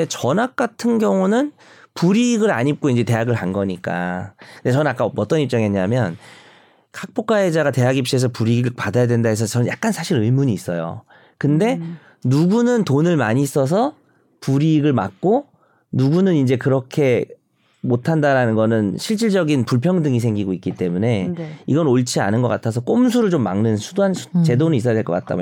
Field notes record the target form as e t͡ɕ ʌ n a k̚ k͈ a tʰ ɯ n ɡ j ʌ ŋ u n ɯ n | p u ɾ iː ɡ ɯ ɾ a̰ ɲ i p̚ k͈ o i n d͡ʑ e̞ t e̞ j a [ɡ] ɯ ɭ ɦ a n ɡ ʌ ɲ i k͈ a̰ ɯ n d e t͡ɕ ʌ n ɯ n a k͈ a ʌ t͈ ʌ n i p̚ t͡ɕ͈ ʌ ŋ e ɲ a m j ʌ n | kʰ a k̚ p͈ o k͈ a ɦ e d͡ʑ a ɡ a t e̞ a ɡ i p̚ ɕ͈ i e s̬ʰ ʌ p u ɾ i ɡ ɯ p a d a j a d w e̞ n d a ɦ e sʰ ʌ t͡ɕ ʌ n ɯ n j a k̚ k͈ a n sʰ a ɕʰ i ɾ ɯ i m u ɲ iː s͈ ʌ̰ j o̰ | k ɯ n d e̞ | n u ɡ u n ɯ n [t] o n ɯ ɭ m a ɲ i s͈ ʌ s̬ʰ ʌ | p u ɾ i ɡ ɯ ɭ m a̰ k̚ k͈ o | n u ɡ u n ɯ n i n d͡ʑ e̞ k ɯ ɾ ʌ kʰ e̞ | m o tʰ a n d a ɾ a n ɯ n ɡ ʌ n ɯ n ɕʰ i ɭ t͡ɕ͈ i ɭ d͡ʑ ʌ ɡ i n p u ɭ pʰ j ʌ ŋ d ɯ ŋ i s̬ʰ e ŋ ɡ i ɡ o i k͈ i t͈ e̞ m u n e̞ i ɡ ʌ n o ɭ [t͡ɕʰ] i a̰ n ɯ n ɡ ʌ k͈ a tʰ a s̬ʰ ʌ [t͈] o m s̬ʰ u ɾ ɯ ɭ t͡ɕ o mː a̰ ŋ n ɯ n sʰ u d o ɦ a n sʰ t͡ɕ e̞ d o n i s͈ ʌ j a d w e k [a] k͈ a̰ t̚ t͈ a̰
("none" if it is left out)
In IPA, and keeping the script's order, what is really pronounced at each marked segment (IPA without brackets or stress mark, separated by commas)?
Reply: ɡ, t, t͡ɕʰ, k͈, ʌ